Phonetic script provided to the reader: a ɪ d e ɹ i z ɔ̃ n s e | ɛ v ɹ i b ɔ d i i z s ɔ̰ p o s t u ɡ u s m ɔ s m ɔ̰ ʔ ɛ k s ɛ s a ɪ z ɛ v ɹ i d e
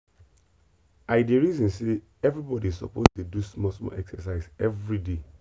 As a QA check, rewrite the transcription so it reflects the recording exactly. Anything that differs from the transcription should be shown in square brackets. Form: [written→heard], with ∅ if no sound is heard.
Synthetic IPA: a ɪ d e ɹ i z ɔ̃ n s e | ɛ v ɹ i b ɔ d i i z s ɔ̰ p o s t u [ɡ→d] u s m ɔ s m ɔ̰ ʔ ɛ k s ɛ s a ɪ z ɛ v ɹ i d e

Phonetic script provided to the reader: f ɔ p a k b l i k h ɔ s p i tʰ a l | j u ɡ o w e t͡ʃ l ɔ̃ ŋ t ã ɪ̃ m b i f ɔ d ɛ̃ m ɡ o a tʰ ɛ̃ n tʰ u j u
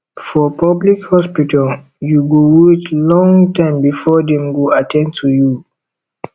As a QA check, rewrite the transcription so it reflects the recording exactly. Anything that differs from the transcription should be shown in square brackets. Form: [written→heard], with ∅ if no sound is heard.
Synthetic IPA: f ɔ p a [k→∅] b l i k h ɔ s p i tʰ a l | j u ɡ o w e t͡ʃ l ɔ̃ ŋ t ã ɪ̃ m b i f ɔ d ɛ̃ m ɡ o a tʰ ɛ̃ n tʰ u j u

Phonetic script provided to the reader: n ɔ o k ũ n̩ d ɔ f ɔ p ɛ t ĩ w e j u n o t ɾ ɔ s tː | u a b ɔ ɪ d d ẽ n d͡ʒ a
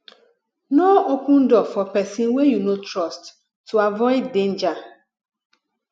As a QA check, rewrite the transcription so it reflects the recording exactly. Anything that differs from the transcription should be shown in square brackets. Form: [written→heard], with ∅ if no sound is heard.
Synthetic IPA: n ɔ o k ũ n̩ d ɔ f ɔ p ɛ [t→s] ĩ w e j u n o t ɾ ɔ s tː | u a [b→v] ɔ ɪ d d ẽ n d͡ʒ a

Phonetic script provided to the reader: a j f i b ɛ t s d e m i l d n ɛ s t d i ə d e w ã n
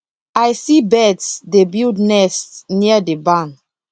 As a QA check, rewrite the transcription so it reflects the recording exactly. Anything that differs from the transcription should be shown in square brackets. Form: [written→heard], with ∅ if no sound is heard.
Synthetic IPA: a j [f→s] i b ɛ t s d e [m→b] i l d n ɛ s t [d→n] i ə d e [w→b] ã n

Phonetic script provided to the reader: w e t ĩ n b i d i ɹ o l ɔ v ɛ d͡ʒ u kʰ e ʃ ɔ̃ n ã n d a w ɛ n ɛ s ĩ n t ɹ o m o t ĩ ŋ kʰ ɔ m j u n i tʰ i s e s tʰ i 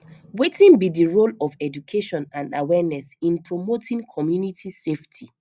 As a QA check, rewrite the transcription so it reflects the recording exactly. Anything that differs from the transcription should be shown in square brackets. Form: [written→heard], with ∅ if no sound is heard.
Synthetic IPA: w e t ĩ n b i d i ɹ o l ɔ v ɛ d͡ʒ u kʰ e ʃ ɔ̃ n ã n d a w ɛ n ɛ s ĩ n [t→p] ɹ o m o t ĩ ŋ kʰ ɔ m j u n i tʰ i s e [s→f] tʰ i

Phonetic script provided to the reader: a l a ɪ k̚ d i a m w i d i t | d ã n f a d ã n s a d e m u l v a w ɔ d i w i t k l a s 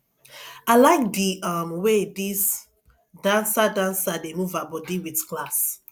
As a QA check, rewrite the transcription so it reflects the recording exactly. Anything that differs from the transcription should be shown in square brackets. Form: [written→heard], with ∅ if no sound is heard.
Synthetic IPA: a l a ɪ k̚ d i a m w [i→e] d i [t→s] | d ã n [f→s] a d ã n s a d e m u [l→∅] v a [w→b] ɔ d i w i t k l a s

